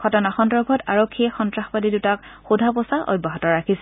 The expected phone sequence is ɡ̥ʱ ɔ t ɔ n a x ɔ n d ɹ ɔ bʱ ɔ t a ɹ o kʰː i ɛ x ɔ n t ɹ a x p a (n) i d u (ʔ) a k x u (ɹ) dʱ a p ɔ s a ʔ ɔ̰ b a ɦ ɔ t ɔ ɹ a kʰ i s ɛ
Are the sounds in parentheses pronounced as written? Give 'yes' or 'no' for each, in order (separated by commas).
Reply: no, no, no